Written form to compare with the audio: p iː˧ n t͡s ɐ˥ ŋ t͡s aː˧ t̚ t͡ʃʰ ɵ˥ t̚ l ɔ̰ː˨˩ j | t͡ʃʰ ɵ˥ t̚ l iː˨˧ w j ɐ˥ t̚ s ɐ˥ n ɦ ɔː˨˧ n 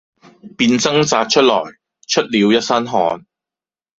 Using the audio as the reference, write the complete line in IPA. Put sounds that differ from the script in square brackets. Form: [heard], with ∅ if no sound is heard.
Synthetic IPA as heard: p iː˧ n t͡s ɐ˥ ŋ t͡s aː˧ t̚ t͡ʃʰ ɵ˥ t̚ l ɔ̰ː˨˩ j | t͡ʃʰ ɵ˥ t̚ l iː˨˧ w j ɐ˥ t̚ s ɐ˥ n ɦ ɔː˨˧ n